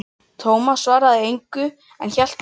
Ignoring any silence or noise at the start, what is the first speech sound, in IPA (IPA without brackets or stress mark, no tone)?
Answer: t̪ʰ